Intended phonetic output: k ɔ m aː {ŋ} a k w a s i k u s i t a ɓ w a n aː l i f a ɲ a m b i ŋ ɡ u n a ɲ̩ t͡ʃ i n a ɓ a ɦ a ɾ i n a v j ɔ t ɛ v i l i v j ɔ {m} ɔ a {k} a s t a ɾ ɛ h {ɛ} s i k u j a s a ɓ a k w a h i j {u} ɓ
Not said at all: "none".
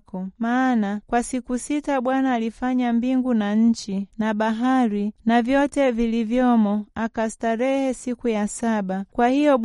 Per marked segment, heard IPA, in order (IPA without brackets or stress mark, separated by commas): n, m, k, ɛ, ɔ